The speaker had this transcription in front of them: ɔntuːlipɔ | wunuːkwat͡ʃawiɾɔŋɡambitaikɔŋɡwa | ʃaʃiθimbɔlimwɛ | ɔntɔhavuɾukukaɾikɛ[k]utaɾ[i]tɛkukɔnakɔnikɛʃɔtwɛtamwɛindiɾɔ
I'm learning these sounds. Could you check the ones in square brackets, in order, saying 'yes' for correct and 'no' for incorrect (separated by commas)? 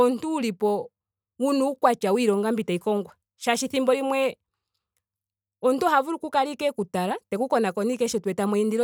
yes, no